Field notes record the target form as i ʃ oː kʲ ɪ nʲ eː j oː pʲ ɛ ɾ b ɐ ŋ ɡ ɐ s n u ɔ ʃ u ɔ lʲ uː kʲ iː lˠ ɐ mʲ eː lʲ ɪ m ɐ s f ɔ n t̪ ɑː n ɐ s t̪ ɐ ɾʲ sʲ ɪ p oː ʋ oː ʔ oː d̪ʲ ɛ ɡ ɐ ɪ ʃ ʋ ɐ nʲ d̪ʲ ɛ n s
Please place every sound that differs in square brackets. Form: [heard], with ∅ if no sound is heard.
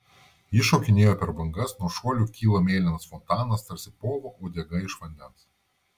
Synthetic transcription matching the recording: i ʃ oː kʲ ɪ nʲ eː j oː pʲ ɛ ɾ b ɐ ŋ ɡ ɐ s n u ɔ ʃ u ɔ lʲ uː kʲ iː lˠ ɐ mʲ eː lʲ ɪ [n] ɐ s f ɔ n t̪ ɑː n ɐ s t̪ ɐ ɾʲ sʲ ɪ p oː ʋ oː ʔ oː d̪ʲ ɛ ɡ ɐ ɪ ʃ ʋ ɐ nʲ d̪ʲ ɛ n s